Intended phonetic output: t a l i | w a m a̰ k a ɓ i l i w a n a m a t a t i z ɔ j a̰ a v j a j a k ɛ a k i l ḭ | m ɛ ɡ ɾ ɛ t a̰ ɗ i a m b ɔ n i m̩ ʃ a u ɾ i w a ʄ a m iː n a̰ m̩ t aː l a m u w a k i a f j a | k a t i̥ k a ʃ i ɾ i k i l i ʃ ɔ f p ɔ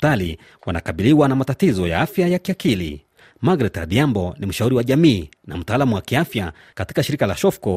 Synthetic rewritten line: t a l i | w a n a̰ k a ɓ i l i w a n a m a t a t i z ɔ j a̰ a f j a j a k i a k i l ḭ | m a ɡ ɾ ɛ t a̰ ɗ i a m b ɔ n i m̩ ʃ a u ɾ i w a ʄ a m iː n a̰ m̩ t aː l a m u w a k i a f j a | k a t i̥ k a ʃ i ɾ i k a l a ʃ ɔ f k ɔ